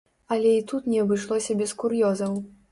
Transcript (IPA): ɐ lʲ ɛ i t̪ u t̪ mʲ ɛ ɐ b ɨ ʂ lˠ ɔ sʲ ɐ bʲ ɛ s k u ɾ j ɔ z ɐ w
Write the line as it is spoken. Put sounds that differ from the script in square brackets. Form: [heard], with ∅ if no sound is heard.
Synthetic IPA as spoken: ɐ lʲ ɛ i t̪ u t̪ [nʲ] ɛ ɐ b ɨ ʂ lˠ ɔ sʲ ɐ bʲ ɛ s k u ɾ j ɔ z ɐ w

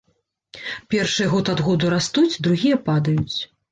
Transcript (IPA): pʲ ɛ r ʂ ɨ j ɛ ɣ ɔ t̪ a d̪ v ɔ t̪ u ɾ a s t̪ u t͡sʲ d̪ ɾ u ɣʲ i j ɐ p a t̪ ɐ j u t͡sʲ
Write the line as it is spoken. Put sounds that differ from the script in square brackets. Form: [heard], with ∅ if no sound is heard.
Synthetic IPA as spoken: pʲ ɛ r ʂ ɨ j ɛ ɣ ɔ t̪ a d̪ [ɣ] ɔ [d̪] u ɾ a s t̪ u t͡sʲ d̪ ɾ u ɣʲ i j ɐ p a [d̪] ɐ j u t͡sʲ

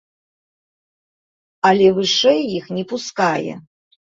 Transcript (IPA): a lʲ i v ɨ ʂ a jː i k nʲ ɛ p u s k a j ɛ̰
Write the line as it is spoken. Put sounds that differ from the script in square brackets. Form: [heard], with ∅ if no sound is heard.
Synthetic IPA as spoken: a lʲ [ɛ] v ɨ ʂ [ɛ] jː i [x] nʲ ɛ p u s k a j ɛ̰

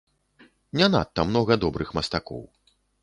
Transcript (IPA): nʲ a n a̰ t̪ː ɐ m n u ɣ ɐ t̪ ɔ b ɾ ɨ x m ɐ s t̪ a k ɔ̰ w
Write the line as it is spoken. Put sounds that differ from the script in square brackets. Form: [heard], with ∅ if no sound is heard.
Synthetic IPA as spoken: nʲ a n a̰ t̪ː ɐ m n [ɔ] ɣ ɐ [d̪] ɔ b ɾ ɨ x m ɐ s t̪ a k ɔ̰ w

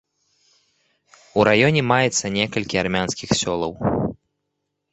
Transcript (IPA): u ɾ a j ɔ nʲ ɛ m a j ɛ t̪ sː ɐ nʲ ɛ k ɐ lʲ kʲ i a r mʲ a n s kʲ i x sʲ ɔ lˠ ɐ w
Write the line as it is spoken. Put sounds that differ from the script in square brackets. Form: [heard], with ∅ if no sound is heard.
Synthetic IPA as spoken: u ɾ a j ɔ nʲ ɛ m a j ɛ t̪ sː ɐ nʲ ɛ k ɐ lʲ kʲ i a r mʲ a n s kʲ i x sʲ ɔ lˠ ɐ w

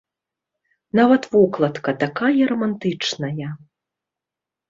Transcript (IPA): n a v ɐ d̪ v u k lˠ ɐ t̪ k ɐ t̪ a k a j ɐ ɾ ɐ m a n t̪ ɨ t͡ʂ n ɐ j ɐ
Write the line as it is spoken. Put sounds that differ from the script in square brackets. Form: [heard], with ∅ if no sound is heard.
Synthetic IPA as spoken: n a v ɐ [t̪] v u k lˠ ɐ t̪ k ɐ t̪ a k a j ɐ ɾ ɐ m a n t̪ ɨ t͡ʂ n ɐ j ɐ

